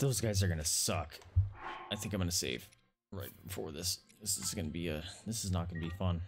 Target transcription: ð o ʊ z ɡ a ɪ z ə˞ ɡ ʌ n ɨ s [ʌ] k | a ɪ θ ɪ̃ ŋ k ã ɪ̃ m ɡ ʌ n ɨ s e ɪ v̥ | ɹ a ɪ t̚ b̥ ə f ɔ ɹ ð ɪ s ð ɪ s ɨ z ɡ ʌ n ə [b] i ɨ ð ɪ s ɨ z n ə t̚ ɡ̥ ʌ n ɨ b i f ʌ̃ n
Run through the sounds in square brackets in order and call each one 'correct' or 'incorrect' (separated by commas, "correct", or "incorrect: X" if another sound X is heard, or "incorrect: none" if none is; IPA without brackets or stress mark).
correct, correct